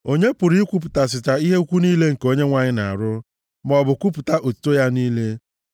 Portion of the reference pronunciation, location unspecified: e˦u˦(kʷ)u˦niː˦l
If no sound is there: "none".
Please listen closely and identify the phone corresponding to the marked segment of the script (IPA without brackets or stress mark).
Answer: kʷ